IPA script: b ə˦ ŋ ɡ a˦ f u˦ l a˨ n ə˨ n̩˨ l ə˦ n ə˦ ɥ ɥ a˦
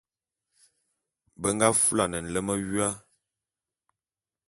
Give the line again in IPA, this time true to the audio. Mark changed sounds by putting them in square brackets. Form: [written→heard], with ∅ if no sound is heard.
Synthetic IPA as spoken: b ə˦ ŋ ɡ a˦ f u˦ l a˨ n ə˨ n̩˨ l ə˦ [n→m] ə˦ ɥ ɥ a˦